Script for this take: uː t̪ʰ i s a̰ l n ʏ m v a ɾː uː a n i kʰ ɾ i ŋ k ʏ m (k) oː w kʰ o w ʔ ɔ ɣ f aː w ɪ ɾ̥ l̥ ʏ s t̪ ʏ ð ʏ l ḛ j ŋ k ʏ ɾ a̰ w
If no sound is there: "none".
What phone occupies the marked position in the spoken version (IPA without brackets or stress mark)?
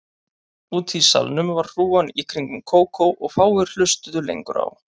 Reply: kʰ